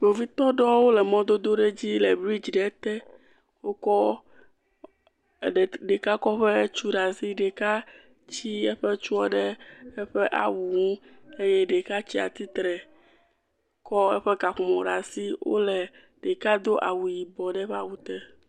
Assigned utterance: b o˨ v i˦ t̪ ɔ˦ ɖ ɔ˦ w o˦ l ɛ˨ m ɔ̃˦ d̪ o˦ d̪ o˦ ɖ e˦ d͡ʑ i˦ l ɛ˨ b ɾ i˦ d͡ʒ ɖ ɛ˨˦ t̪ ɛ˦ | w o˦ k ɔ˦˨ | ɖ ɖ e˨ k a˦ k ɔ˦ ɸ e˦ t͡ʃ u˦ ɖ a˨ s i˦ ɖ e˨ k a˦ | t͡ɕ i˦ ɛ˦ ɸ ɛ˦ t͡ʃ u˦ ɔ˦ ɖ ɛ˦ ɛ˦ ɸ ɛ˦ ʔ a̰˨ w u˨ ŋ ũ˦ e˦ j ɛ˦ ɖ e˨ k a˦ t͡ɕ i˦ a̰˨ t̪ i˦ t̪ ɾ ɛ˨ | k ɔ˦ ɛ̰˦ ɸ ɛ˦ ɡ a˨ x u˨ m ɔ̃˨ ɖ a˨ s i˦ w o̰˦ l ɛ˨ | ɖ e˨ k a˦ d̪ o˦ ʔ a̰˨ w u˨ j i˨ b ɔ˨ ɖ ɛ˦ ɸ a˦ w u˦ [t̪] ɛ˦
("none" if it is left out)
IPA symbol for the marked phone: t̪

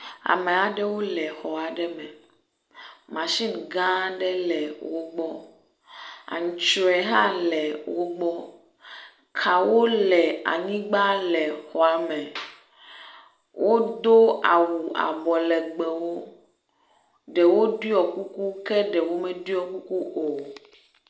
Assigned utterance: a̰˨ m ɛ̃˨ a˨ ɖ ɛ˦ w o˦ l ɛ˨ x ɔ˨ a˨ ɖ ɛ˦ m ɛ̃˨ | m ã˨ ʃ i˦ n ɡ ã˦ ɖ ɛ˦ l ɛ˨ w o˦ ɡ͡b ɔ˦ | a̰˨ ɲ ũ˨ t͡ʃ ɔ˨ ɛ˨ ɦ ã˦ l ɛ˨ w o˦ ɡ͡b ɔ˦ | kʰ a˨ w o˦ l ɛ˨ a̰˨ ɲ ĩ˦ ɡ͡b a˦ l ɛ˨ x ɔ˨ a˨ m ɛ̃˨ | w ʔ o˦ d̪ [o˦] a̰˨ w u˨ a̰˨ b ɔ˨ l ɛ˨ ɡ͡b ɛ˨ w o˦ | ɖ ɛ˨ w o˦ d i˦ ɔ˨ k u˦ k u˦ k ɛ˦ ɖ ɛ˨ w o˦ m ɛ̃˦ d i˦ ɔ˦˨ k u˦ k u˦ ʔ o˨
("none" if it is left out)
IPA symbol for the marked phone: o˦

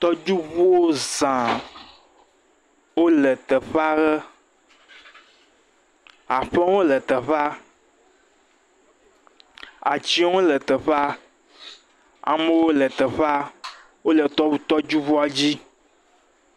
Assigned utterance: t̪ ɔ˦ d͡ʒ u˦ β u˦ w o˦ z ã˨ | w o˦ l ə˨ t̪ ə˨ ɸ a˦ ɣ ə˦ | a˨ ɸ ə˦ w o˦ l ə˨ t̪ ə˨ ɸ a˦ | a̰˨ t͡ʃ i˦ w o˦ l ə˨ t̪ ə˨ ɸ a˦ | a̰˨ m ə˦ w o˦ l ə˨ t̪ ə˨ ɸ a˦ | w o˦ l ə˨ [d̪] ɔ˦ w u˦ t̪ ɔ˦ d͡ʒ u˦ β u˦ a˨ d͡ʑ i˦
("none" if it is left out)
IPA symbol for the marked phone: t̪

